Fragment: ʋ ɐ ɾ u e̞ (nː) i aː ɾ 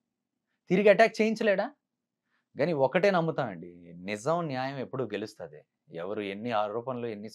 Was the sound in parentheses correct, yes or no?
yes